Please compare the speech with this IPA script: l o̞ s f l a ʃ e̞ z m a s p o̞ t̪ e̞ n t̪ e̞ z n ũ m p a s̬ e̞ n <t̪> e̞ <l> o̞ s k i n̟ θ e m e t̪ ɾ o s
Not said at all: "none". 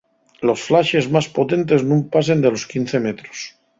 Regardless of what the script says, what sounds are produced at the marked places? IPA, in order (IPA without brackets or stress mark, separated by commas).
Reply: d̪, l